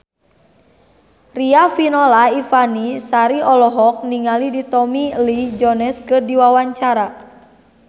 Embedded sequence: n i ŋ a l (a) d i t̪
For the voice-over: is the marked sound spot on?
no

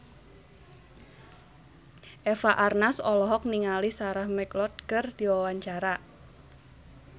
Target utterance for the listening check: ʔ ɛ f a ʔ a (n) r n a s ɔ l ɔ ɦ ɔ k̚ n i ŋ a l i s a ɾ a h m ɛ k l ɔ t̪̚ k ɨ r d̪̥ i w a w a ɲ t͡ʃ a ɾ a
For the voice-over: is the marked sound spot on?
no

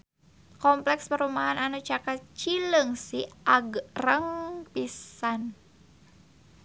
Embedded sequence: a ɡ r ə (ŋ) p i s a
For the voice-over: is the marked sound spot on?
yes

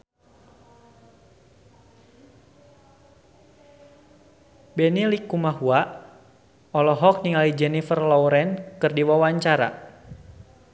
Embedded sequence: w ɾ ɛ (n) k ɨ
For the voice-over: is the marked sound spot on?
yes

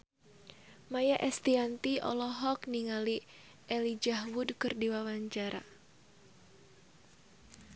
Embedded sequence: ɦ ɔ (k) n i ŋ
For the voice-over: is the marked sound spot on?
yes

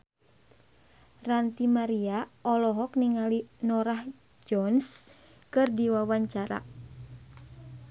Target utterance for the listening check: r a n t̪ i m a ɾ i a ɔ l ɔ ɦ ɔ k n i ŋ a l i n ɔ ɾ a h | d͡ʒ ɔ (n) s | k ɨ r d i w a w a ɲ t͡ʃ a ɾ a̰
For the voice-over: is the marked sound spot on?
yes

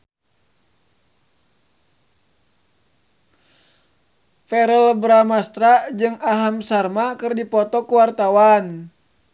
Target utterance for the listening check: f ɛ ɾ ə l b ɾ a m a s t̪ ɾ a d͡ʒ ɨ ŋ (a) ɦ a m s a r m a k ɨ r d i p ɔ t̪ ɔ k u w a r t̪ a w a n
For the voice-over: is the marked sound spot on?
yes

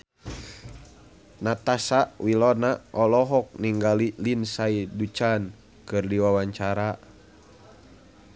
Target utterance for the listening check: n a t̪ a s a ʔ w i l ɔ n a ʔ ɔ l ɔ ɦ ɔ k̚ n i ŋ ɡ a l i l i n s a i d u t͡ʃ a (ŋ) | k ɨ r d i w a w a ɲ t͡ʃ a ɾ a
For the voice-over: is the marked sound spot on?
no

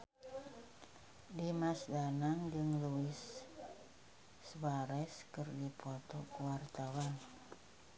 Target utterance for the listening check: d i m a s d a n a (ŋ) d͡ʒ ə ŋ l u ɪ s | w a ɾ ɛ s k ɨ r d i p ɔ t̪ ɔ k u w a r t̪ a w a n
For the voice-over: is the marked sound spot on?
yes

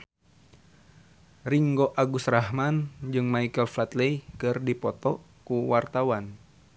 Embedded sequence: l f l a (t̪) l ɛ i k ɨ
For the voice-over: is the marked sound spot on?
yes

